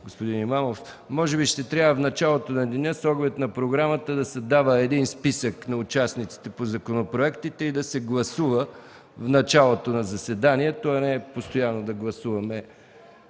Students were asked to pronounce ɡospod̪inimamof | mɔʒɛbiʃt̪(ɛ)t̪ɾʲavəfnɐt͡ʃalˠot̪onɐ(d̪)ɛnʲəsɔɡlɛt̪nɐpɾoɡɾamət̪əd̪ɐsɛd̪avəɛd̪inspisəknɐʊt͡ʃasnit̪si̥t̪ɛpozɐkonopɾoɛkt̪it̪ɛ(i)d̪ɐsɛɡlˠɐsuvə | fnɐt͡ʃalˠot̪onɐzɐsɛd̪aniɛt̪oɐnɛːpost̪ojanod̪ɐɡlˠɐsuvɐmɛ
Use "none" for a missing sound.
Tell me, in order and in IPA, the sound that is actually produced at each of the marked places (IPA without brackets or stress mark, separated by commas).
ɛ, d̪, i